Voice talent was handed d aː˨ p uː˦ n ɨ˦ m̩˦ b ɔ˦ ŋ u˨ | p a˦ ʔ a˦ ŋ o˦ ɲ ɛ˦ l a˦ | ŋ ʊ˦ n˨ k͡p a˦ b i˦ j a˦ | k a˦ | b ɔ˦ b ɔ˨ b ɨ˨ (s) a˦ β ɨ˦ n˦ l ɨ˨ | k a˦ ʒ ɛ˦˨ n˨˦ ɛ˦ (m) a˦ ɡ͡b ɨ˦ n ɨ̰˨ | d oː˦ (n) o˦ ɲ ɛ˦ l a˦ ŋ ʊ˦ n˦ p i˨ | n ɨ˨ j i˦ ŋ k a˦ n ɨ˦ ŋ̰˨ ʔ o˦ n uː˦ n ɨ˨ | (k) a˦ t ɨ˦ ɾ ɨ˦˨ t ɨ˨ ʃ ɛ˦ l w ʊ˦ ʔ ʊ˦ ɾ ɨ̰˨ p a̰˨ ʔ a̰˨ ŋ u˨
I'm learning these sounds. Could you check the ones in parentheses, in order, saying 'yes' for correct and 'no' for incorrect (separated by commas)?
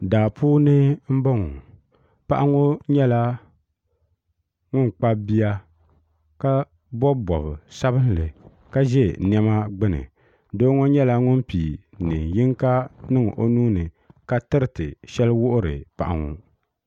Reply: yes, yes, no, yes